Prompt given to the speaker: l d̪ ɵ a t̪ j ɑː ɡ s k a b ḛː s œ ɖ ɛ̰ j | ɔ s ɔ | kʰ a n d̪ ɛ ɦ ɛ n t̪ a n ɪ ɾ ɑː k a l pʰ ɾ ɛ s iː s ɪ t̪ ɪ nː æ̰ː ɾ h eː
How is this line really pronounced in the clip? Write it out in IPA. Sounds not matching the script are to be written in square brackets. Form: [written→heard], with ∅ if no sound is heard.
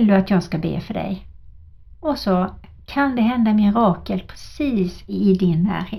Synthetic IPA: l d̪ ɵ a t̪ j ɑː ɡ s k a b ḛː [s→f] œ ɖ ɛ̰ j | ɔ s ɔ | kʰ a n d̪ ɛ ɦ ɛ n [t̪→d̪] a [n→m] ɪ ɾ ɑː k [a→ə] l pʰ ɾ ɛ s iː s ɪ [t̪→d̪] ɪ nː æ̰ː ɾ h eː